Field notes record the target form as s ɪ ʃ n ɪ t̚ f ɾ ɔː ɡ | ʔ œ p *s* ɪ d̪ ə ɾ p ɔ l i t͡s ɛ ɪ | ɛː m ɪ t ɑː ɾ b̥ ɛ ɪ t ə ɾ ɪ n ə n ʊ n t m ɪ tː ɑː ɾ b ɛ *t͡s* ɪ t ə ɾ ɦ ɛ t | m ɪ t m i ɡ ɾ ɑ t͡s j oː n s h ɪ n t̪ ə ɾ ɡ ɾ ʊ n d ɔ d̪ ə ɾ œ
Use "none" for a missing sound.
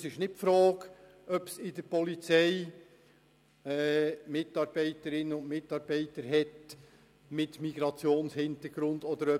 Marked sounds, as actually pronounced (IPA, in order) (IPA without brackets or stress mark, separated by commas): s, none